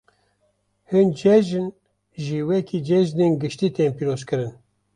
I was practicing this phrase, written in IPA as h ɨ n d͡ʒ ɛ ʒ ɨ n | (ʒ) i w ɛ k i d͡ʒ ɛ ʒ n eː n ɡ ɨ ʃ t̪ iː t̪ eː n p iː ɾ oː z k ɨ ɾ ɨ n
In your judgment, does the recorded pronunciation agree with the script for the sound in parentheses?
yes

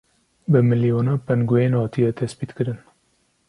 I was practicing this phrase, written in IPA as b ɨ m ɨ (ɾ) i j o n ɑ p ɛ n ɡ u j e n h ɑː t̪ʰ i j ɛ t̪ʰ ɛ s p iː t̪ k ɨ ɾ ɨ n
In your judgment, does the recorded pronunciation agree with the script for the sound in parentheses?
no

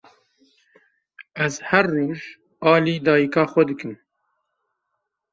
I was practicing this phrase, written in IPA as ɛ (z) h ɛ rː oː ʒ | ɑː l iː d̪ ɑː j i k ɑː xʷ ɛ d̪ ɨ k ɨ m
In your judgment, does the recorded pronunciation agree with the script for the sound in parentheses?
yes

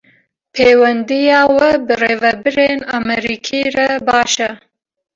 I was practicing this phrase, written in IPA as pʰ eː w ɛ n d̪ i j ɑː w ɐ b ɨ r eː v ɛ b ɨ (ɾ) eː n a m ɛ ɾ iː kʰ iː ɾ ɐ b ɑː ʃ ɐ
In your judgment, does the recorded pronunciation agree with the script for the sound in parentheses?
yes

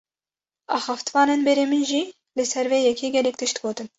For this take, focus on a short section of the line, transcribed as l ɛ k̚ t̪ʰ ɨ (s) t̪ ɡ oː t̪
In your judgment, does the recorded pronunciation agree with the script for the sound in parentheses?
no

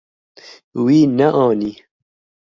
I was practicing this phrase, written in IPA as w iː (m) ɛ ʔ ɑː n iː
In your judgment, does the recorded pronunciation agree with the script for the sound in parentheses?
no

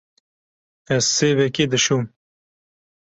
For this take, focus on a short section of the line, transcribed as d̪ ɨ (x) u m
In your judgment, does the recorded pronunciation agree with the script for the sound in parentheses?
no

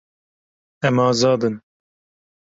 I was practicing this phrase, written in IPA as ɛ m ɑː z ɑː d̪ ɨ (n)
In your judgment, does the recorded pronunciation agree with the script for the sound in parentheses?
yes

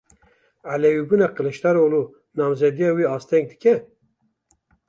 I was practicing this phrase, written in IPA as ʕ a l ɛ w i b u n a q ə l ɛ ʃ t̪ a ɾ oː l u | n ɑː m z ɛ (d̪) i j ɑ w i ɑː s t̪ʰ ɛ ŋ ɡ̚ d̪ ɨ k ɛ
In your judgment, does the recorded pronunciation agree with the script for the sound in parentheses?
yes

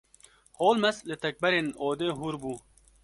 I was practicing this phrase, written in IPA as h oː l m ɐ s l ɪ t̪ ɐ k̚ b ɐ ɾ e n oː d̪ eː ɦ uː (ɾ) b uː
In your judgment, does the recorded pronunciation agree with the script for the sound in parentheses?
yes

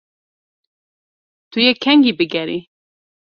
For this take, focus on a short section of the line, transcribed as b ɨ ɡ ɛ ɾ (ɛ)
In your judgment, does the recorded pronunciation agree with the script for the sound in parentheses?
no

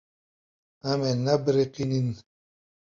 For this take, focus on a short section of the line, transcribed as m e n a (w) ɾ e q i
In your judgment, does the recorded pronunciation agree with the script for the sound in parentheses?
no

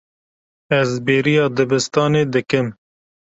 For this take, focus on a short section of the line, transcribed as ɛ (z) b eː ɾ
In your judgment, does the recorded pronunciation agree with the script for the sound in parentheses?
yes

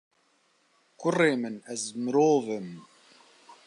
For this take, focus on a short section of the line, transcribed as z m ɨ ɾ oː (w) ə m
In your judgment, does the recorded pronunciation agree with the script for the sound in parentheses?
no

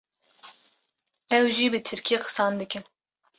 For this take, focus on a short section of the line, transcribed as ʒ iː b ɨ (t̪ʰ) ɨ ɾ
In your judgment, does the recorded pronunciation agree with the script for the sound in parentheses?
yes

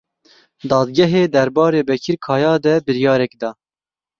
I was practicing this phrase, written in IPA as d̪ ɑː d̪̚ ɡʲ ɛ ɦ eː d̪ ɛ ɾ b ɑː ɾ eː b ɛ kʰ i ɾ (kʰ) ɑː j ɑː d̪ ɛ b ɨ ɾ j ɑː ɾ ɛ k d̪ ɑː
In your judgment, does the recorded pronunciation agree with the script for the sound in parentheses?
yes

